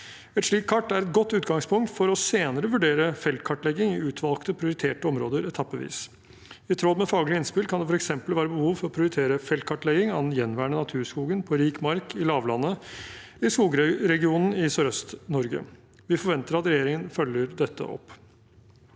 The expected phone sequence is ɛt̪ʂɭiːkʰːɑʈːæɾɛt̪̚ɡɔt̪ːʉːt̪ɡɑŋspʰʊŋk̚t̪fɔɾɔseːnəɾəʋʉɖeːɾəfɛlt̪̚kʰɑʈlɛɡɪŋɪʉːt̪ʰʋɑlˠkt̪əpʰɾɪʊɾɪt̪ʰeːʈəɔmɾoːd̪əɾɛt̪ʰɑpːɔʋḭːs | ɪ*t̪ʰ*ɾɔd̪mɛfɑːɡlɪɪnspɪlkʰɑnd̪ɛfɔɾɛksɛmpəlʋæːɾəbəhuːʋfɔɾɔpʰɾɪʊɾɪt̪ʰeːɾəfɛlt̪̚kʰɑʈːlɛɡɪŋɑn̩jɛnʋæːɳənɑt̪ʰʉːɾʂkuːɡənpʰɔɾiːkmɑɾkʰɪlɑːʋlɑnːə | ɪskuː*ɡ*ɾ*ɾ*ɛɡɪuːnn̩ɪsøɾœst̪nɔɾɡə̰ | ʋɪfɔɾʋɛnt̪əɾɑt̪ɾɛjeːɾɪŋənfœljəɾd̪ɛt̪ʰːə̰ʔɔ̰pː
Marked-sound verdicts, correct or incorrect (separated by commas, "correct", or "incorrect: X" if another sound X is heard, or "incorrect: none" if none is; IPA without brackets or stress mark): correct, correct, correct